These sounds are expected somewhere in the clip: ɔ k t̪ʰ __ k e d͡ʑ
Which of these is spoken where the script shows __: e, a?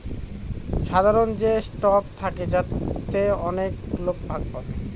a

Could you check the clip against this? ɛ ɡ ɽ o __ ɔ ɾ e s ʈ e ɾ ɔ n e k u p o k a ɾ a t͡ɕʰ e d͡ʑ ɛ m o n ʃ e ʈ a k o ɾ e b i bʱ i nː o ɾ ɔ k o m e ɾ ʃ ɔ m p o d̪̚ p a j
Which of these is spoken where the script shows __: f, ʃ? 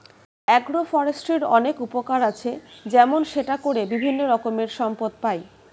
f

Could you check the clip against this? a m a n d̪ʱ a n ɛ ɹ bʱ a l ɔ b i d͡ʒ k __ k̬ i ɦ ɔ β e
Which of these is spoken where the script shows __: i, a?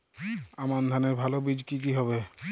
i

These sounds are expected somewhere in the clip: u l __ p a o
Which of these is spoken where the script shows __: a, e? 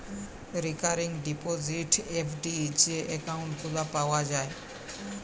a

